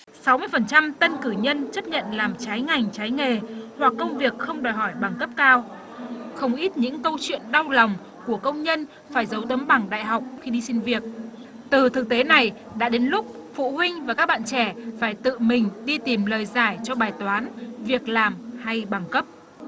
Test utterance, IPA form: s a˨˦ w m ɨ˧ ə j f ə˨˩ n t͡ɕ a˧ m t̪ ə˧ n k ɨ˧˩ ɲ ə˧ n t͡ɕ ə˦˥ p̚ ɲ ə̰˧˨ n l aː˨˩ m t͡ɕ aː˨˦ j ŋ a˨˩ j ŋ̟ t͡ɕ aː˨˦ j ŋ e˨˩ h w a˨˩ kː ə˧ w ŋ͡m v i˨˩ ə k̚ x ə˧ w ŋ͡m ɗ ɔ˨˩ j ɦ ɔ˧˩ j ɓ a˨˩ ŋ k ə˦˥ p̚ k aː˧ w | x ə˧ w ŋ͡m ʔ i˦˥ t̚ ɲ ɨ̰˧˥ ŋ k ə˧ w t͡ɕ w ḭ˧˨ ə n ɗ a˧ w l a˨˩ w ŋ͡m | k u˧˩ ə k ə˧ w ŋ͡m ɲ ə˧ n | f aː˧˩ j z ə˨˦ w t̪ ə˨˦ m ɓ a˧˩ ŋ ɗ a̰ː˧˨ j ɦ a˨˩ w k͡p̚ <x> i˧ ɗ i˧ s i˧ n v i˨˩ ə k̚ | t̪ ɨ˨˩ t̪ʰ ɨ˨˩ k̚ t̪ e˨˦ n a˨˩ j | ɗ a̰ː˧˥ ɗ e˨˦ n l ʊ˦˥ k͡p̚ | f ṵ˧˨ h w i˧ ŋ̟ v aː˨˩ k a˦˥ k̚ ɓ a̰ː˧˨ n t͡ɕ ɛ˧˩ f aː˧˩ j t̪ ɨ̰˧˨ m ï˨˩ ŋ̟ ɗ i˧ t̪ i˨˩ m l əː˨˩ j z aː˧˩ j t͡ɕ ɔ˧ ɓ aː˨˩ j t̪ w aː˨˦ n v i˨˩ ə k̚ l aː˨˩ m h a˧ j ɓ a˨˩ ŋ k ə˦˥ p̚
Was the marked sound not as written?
no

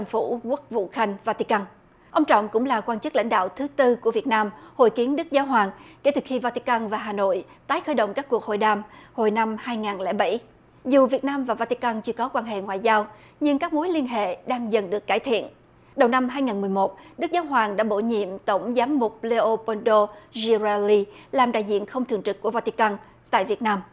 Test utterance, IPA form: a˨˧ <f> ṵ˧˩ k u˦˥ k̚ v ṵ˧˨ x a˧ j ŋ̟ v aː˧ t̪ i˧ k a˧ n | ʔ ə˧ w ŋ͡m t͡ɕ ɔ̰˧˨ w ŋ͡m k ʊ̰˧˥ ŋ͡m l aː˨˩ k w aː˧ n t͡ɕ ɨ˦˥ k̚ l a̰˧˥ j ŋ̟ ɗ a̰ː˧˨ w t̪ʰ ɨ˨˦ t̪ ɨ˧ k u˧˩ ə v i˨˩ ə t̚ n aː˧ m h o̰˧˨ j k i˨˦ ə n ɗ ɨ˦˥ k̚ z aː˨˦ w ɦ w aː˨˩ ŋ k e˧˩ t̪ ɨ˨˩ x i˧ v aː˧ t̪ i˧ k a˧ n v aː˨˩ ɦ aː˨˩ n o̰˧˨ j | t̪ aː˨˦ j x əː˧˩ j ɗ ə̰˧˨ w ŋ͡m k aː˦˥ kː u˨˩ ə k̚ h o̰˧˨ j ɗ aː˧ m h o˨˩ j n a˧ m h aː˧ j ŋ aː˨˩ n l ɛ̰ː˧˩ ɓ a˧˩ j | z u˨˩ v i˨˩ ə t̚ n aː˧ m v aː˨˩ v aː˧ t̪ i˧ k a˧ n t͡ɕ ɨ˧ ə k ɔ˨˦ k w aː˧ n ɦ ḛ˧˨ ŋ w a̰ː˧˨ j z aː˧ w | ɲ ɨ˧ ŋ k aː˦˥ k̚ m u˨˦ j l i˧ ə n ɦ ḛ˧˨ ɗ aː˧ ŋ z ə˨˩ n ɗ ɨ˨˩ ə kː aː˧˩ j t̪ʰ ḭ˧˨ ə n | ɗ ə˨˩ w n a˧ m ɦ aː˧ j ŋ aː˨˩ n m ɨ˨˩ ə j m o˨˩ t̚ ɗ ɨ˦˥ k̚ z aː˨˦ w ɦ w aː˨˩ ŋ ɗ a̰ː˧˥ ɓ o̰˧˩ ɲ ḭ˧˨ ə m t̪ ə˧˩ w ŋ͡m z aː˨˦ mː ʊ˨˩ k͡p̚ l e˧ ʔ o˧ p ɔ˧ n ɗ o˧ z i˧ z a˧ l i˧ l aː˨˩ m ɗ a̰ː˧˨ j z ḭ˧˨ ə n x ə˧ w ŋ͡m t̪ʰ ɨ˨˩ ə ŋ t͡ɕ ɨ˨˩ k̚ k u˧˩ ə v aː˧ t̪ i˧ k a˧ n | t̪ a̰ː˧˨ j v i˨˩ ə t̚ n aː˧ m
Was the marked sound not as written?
no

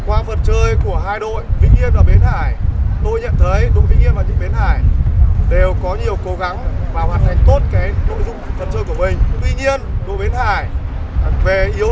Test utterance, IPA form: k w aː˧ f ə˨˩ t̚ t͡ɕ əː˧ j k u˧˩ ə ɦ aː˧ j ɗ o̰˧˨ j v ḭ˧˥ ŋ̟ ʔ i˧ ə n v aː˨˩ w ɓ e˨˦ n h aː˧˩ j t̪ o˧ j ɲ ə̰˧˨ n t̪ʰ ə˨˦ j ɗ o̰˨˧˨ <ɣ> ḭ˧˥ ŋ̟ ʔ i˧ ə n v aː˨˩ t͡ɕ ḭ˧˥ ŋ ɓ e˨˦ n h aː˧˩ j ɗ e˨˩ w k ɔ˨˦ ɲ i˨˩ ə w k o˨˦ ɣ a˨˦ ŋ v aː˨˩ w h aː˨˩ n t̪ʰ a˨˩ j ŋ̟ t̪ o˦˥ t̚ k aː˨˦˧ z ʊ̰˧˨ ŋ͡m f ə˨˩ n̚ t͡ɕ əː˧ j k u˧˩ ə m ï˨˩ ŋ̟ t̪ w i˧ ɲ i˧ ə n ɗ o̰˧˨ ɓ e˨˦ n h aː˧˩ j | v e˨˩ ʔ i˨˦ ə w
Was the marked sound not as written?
yes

